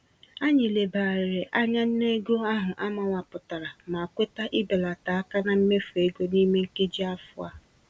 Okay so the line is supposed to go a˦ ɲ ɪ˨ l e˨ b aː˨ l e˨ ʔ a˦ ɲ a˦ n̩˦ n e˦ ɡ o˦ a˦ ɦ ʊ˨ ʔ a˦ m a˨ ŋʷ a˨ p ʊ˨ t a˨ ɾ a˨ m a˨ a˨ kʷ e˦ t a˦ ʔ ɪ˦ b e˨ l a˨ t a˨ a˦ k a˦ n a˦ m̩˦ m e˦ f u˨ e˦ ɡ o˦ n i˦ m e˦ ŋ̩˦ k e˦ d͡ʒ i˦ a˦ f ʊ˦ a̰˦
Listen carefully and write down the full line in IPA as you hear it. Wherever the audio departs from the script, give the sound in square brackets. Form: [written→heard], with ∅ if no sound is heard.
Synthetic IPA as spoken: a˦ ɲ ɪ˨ l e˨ b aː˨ [l→ɾ] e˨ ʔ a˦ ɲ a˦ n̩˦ n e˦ ɡ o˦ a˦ ɦ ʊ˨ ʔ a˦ m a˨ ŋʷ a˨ p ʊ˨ t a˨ ɾ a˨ m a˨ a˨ kʷ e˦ t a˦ ʔ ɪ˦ b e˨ l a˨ t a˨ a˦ k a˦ n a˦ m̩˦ m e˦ f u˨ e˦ ɡ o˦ n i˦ m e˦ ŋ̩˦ k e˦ d͡ʒ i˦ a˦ f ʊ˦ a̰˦